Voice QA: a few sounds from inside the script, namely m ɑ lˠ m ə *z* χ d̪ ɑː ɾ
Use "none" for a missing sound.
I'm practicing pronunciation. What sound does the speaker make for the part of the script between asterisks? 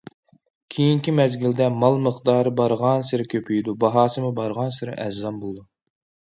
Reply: none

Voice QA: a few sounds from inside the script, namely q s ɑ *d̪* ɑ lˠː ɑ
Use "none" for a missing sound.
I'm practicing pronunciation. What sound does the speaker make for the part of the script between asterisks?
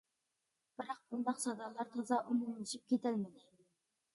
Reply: d̪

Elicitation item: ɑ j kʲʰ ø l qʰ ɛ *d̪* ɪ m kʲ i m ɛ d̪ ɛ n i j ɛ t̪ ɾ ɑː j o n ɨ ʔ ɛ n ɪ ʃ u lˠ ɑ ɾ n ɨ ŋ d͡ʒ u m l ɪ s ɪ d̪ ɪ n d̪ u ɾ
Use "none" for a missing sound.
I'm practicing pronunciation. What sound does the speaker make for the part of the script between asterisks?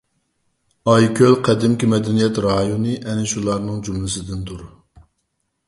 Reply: d̪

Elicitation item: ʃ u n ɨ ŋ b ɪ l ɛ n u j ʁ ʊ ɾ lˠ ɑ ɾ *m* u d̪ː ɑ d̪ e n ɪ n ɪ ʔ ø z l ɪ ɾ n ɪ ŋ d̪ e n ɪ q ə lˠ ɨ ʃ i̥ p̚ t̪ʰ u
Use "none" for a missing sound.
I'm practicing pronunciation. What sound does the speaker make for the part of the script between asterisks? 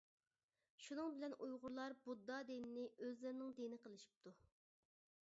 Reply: b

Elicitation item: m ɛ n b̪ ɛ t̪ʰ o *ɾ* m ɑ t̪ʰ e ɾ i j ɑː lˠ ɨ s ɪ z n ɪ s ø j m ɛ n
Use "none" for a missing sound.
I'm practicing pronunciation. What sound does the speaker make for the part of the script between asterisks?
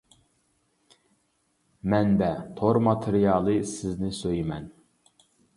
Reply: ɾ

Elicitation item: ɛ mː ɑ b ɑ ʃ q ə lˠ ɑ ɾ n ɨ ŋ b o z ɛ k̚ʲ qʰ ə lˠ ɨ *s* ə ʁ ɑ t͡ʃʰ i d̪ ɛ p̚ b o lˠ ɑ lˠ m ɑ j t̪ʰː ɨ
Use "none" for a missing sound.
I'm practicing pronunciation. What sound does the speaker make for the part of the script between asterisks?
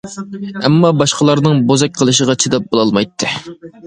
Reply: ʃ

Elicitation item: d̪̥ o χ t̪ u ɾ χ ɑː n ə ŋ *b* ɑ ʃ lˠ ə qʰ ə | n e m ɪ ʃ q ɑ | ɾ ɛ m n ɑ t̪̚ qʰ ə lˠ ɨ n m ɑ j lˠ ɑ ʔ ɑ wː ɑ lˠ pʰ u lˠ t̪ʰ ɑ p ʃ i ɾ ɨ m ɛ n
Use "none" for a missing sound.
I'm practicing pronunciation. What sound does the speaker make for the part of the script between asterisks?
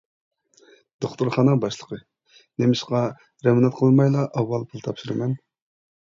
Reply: b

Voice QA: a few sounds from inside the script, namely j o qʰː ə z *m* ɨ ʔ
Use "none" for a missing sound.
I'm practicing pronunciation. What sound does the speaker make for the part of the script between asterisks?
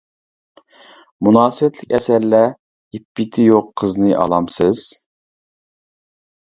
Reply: n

